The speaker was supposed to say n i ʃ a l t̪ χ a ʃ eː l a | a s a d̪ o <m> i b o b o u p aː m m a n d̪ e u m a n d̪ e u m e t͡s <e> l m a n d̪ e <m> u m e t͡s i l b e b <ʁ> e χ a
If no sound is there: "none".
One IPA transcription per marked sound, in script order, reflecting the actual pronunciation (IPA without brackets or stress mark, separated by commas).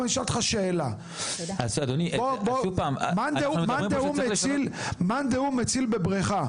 n, i, none, ʁ